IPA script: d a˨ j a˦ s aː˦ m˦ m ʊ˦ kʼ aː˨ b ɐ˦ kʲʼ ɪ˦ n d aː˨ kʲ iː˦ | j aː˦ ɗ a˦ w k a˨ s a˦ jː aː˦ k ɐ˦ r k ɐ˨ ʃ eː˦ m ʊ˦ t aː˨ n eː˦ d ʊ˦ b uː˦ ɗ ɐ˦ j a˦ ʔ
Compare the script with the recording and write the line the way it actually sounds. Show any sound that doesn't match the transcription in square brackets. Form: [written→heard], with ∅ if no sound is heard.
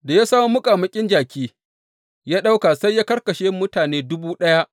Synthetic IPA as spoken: d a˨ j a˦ s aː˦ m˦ m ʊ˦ kʼ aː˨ [b→m] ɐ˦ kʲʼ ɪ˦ n [d→d͡ʒ] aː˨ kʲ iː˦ | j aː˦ ɗ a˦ w k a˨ s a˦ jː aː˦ k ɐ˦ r k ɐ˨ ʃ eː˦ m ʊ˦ t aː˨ n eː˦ d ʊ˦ b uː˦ ɗ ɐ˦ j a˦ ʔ